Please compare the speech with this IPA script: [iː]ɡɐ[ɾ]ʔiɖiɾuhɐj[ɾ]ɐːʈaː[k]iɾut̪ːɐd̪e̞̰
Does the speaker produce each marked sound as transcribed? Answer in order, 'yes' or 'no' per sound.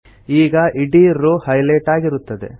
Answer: yes, no, no, no

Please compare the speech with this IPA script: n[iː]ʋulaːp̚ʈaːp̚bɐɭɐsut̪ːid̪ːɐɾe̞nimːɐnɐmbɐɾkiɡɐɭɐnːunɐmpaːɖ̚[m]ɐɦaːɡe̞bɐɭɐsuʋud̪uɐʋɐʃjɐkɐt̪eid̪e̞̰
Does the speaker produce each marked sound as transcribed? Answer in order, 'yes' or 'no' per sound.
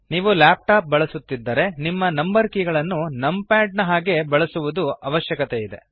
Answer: yes, no

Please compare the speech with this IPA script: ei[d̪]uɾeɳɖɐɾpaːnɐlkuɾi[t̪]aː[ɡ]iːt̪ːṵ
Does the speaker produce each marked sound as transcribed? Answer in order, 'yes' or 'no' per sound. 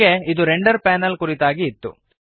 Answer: yes, yes, yes

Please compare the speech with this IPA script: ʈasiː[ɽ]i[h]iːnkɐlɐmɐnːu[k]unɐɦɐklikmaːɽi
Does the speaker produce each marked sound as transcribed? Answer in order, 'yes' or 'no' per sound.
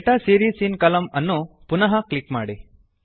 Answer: no, no, no

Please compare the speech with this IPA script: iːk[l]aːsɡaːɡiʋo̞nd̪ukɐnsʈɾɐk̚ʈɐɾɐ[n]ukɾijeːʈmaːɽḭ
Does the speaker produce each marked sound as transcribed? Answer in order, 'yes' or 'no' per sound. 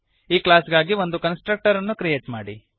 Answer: yes, no

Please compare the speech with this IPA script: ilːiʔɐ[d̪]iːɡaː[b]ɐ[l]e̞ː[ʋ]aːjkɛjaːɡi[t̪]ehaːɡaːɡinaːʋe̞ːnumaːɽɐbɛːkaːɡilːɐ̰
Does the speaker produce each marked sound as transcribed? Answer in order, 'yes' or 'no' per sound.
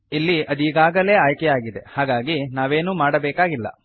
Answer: yes, no, yes, no, no

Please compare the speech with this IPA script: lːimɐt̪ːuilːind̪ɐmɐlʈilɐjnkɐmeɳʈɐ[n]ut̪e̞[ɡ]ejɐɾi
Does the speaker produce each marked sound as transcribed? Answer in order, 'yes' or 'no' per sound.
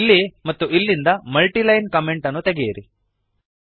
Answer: no, yes

